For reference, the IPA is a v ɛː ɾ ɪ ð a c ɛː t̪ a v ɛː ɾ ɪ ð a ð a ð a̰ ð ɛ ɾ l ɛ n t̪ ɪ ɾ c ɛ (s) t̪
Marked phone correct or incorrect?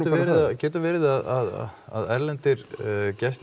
correct